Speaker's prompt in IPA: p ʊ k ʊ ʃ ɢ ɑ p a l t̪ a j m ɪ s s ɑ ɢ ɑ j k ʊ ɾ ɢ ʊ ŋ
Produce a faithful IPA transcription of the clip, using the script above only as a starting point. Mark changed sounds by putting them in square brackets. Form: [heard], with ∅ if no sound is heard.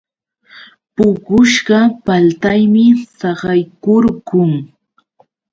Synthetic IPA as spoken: p ʊ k ʊ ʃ ɢ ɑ p a l t̪ a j m ɪ s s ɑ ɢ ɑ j k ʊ ɾ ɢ ʊ ŋ